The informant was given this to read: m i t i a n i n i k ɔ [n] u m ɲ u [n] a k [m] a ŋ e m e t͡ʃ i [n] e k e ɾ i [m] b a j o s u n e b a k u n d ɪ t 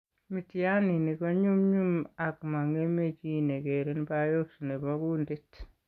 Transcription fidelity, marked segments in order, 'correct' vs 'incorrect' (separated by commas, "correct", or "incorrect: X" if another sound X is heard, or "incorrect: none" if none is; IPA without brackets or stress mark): incorrect: ɲ, incorrect: m, correct, correct, incorrect: n